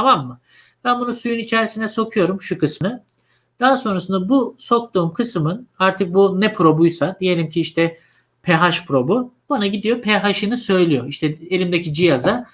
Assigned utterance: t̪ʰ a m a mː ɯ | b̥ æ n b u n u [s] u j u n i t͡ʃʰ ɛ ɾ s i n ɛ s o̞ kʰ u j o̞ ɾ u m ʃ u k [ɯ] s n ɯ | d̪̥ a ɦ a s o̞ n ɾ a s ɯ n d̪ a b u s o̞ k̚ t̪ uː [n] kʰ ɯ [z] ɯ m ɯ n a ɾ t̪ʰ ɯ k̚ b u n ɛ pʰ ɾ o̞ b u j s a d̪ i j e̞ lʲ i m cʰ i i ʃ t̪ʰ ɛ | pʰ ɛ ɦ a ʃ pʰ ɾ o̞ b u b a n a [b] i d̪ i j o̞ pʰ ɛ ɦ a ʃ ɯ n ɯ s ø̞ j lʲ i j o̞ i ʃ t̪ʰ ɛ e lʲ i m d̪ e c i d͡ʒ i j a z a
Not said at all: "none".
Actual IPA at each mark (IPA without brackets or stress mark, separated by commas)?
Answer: s, ɯ, m, s, ɟ